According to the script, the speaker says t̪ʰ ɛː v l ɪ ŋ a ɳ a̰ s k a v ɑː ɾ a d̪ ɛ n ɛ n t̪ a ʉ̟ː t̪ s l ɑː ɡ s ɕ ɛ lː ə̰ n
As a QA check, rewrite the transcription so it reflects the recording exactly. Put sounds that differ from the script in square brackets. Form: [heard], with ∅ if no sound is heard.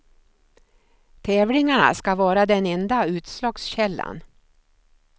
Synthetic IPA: t̪ʰ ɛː v l ɪ ŋ a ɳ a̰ s k a v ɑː ɾ a d̪ ɛ n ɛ n [d̪] a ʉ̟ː t̪ s l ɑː ɡ s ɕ ɛ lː [a̰] n

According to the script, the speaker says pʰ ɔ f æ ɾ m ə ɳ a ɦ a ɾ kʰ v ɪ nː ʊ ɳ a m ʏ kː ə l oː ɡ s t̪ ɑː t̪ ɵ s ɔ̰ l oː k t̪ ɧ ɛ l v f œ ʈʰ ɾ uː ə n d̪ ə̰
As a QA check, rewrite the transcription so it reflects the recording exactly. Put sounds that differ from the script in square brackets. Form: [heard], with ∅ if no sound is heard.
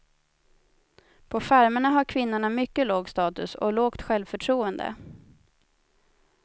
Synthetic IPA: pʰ ɔ f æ ɾ m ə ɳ a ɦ a ɾ kʰ v ɪ nː ʊ ɳ a m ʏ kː ə l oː ɡ s t̪ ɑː t̪ ɵ s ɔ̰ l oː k t̪ ɧ ɛ l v f œ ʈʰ ɾ uː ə n d̪ ə̰

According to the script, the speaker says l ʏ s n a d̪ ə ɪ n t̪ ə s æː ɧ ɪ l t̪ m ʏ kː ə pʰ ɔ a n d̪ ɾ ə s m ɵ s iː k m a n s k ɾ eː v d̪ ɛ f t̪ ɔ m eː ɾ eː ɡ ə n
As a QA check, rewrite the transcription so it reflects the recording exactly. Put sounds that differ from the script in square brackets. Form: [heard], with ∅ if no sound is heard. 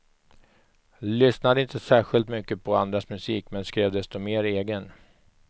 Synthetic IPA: l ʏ s n a d̪ ə ɪ n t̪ ə s æː ɧ ɪ l t̪ m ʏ kː ə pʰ ɔ a n d̪ ɾ [a] s m ɵ s iː k m [ɛ] n s k ɾ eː v d̪ ɛ [s] t̪ ɔ m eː ɾ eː ɡ ə n

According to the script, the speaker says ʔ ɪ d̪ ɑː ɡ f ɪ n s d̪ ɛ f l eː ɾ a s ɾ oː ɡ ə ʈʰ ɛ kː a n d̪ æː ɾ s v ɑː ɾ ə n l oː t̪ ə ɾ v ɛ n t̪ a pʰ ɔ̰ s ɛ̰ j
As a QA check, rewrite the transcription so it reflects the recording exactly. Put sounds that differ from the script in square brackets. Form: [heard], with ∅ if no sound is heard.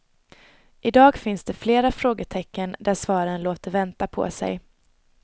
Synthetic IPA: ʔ ɪ d̪ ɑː ɡ f ɪ n s d̪ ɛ f l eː ɾ a [f] ɾ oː ɡ ə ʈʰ ɛ kː [ə] n d̪ [æ] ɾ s v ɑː ɾ ə n l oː t̪ ə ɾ v ɛ n t̪ a pʰ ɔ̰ s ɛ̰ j

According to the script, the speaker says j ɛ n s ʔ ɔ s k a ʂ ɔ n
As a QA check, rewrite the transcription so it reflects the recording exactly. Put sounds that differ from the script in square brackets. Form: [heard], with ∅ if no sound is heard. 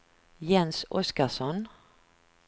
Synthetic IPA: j ɛ n s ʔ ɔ s k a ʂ ɔ n

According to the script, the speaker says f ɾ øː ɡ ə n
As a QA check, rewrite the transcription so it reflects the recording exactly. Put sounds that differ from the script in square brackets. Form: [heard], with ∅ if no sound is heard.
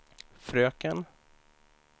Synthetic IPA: f ɾ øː [k] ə n

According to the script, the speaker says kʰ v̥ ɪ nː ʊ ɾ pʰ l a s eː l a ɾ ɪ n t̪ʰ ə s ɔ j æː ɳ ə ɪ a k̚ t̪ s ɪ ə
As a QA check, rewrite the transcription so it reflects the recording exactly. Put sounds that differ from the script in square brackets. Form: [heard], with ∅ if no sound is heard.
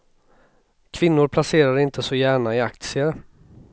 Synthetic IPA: kʰ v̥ ɪ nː ʊ ɾ pʰ l a s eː [ɾ] a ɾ ɪ n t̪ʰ ə s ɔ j æː ɳ [a] ɪ a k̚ t̪ s ɪ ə

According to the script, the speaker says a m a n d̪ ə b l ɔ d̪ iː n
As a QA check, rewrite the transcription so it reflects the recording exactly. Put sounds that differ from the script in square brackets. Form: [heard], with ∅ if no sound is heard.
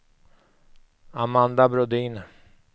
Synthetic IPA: a m a n d̪ [a] b [ɾ] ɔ d̪ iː n

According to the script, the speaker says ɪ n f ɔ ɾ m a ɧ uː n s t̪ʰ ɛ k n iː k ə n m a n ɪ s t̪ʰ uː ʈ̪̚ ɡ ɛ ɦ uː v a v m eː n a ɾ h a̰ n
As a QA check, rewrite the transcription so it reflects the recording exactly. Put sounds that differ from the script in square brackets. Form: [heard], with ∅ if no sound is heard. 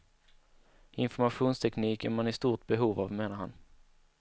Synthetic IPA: ɪ n f ɔ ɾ m a ɧ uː n s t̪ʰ ɛ k n iː k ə n m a n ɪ s [t̪] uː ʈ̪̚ [b] ɛ ɦ uː v a v m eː n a ɾ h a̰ n

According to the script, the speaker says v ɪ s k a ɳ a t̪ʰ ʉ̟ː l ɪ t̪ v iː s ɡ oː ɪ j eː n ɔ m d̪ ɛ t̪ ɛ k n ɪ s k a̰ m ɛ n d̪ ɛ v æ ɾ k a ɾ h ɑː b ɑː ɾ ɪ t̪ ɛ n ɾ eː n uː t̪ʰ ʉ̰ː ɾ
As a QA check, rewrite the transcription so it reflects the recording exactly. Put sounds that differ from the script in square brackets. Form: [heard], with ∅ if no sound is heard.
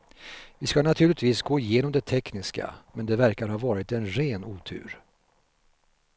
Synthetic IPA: v ɪ s k a [n] a t̪ʰ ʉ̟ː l ɪ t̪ v iː s ɡ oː ɪ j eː n ɔ m d̪ ɛ [t̪ʰ] ɛ k n ɪ s k a̰ m ɛ n d̪ ɛ v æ ɾ k a ɾ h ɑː [v] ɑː ɾ ɪ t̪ ɛ n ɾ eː n uː t̪ʰ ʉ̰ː ɾ

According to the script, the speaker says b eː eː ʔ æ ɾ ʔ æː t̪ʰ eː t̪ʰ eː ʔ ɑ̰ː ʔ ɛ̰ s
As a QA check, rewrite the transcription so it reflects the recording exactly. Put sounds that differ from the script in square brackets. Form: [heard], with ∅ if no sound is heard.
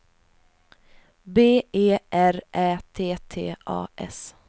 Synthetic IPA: b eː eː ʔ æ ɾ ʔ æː t̪ʰ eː t̪ʰ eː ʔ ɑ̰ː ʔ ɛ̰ s

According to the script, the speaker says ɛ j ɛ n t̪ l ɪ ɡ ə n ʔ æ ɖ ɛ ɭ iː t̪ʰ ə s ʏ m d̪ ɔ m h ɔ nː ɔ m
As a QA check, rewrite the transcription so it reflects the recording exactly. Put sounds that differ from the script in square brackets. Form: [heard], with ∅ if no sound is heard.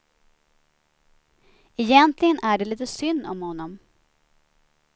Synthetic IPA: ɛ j ɛ n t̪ l ɪ ɡ ə n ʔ æ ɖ ɛ [l] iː [t̪] ə s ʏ [n] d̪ ɔ m h ɔ nː ɔ m

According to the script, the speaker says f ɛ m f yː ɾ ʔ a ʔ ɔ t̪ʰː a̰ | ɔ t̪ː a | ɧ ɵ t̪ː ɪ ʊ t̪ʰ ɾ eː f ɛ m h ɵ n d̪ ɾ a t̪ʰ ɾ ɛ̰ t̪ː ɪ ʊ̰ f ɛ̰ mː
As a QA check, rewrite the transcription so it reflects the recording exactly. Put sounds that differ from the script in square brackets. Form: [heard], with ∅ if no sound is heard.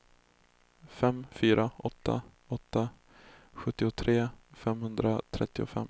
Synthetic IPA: f ɛ m f yː ɾ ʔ a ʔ ɔ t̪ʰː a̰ | ɔ t̪ː a | ɧ ɵ t̪ː ɪ ʊ t̪ʰ ɾ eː f ɛ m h ɵ n d̪ ɾ a t̪ʰ ɾ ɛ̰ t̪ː ɪ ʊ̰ f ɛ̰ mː

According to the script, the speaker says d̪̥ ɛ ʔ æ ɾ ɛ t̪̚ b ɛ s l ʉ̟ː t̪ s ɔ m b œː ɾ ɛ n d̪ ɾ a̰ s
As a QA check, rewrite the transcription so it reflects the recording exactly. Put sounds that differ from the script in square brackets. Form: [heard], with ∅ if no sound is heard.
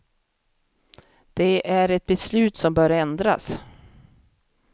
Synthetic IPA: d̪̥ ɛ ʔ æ ɾ ɛ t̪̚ b ɛ s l ʉ̟ː t̪ s ɔ m b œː ɾ ɛ n d̪ ɾ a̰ s

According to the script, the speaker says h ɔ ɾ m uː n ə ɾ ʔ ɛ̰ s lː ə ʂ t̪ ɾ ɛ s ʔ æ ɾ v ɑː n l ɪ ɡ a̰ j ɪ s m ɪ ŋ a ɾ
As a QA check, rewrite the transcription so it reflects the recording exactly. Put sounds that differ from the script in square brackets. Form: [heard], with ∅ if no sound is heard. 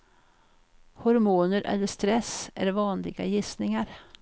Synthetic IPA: h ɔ ɾ m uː n ə ɾ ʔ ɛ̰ [∅] lː ə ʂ t̪ ɾ ɛ s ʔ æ ɾ v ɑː n l ɪ ɡ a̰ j ɪ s [n] ɪ ŋ a ɾ

